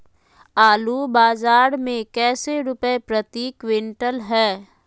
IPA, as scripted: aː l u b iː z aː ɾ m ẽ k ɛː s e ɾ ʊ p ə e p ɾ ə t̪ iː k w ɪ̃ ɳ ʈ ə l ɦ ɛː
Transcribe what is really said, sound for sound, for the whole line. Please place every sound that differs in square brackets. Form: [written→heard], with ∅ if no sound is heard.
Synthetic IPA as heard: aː l u b [iː→aː] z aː ɾ m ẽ k ɛː s e ɾ ʊ p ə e p ɾ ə t̪ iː k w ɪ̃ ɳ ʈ ə l ɦ ɛː